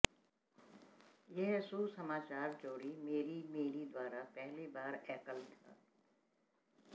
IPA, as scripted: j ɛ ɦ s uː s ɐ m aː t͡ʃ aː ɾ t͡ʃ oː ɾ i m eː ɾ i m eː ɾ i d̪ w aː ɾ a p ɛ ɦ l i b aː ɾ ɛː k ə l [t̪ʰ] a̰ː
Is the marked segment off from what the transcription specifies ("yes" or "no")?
no